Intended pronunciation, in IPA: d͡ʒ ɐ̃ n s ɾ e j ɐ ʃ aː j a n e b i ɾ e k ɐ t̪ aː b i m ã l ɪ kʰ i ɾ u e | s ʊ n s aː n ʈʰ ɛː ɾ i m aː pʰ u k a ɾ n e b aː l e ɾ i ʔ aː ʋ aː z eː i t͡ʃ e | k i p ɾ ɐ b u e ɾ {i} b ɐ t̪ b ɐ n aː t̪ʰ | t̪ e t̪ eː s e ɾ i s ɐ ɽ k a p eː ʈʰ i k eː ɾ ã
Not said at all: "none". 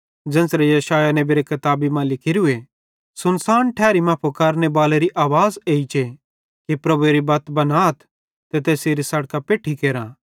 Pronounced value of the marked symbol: i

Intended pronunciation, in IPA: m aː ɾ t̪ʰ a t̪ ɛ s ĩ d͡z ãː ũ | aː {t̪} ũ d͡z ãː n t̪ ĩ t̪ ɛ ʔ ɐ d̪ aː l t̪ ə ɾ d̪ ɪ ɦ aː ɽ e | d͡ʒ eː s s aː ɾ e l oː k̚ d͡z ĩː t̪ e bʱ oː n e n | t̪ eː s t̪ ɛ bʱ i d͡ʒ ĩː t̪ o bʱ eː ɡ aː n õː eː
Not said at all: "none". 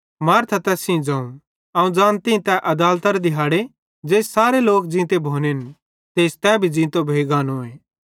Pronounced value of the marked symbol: none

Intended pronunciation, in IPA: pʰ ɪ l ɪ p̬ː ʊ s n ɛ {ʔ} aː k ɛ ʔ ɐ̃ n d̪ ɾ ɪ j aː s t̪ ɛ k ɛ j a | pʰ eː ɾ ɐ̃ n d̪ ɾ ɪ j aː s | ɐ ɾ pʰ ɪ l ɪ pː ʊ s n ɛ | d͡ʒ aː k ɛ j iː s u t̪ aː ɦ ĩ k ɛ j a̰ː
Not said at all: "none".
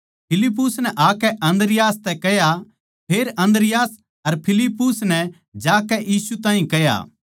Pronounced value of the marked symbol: ʔ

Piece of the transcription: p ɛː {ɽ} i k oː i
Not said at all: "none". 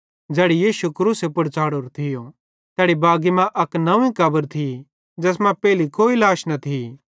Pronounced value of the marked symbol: l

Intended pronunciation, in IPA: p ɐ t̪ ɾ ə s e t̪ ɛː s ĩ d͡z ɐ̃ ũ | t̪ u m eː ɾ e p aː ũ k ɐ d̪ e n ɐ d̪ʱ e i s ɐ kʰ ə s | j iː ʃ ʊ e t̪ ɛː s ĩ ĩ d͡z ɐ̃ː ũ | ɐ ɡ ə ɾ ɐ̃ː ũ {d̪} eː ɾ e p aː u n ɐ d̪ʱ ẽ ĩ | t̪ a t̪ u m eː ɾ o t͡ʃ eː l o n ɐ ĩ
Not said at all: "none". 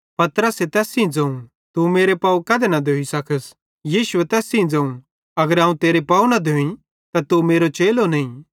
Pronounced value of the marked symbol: t̪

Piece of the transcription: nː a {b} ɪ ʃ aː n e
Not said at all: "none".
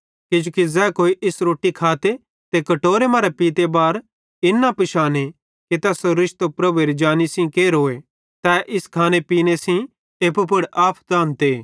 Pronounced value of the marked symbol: p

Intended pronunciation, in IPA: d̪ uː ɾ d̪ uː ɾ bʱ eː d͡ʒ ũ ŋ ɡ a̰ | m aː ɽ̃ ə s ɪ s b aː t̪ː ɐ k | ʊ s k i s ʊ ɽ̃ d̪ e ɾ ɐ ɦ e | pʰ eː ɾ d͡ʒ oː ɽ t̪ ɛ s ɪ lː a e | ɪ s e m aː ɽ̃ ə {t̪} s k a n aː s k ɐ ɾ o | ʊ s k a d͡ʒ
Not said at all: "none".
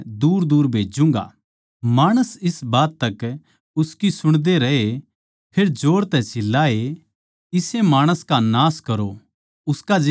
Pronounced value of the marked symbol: none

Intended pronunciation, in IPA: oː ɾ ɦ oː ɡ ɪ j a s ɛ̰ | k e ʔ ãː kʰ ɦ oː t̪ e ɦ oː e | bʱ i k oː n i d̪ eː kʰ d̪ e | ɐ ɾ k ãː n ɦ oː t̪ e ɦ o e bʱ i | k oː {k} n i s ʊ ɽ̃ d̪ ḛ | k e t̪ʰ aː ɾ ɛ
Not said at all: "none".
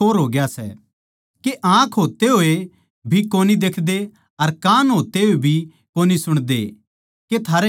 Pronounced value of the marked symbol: none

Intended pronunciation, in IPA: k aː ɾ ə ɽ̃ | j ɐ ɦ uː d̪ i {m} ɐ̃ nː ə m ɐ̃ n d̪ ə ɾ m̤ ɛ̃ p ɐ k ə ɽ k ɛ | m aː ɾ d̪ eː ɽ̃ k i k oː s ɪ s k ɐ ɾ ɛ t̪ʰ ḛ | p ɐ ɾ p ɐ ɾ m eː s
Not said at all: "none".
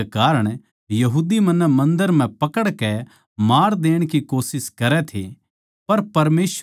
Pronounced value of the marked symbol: m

